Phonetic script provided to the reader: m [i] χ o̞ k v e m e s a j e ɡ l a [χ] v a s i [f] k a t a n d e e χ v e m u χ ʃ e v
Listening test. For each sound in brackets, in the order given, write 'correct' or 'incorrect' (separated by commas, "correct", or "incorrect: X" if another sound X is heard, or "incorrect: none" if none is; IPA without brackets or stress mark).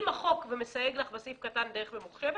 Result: incorrect: a, correct, correct